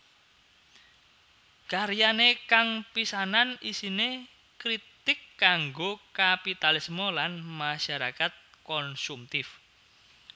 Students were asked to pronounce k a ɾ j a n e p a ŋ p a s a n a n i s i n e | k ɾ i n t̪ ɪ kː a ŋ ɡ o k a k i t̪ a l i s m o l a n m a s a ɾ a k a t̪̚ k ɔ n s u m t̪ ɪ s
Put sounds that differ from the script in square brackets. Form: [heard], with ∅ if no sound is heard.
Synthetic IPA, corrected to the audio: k a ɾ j a n e [k] a ŋ p [i] s a n a n i s i n e | k ɾ i [∅] t̪ ɪ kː a ŋ ɡ o k a [p] i t̪ a l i s m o l a n m a [ʃ] a ɾ a k a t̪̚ k ɔ n s u m t̪ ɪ [f]